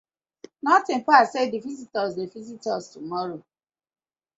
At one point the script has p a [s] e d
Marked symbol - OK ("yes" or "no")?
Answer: yes